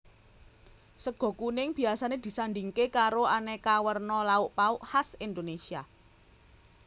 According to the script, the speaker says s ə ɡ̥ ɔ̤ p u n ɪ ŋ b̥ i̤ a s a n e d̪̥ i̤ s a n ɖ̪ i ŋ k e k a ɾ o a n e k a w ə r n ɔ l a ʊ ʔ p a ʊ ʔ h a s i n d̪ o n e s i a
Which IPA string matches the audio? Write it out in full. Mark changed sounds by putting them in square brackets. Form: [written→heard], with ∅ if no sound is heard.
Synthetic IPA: s ə ɡ̥ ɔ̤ [p→k] u n ɪ ŋ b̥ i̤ a s a n e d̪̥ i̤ s a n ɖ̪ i ŋ k e k a ɾ o a n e k a w ə r n ɔ l a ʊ ʔ p a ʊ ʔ h a s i n d̪ o n e s i a